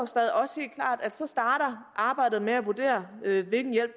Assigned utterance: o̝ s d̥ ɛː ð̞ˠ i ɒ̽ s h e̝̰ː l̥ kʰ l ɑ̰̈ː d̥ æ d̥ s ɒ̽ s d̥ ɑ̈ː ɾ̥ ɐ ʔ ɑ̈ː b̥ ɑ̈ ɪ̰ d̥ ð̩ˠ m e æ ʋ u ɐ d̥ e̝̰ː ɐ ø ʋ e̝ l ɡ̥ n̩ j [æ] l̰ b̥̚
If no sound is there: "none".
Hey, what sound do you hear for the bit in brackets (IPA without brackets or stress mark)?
e